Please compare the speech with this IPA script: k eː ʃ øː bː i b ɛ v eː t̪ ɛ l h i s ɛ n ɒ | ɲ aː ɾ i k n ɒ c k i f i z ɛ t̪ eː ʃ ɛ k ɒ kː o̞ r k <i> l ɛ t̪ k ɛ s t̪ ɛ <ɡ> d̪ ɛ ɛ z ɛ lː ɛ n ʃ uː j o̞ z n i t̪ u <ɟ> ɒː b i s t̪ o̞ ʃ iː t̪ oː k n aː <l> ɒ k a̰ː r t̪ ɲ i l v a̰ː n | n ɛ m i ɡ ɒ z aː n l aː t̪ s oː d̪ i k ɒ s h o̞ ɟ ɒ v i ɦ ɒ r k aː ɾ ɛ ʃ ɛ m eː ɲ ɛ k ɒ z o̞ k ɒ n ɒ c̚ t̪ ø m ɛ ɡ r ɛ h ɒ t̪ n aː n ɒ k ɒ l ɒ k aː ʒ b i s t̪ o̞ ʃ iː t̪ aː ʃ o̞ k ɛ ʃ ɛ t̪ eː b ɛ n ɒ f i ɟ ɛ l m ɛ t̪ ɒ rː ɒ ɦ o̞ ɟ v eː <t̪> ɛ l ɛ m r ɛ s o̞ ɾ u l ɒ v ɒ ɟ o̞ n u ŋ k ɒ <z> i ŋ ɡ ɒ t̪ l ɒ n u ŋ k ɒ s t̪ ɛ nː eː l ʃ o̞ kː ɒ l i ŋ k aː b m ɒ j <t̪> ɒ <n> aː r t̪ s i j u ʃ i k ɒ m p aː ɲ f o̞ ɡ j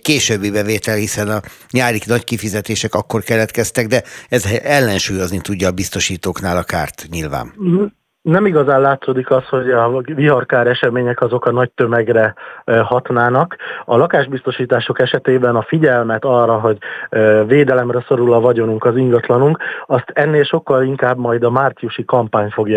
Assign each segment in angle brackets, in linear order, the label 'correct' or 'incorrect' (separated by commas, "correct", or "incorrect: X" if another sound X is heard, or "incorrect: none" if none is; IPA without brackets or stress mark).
incorrect: ɛ, correct, incorrect: ɟː, correct, incorrect: d̪, correct, incorrect: d̪, incorrect: m